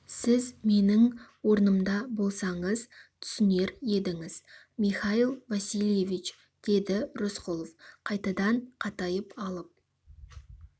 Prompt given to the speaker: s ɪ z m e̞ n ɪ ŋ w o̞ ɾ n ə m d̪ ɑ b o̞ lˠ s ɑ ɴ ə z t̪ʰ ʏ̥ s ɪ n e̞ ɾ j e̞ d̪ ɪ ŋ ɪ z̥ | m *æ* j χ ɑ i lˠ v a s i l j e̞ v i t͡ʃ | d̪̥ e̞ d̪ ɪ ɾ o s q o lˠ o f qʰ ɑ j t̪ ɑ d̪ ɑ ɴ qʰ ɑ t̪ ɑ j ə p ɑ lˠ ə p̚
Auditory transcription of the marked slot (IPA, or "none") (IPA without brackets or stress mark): i